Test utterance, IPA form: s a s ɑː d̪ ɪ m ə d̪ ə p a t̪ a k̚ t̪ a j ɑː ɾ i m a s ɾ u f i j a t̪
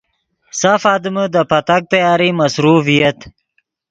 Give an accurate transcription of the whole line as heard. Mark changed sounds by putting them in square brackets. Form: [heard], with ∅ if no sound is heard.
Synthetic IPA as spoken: s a [f] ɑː d̪ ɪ m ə d̪ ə p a t̪ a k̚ t̪ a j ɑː ɾ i m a s ɾ u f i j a t̪